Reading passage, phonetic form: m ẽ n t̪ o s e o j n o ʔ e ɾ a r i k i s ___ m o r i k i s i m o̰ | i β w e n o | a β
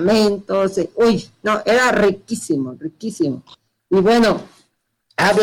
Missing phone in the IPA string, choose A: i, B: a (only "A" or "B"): A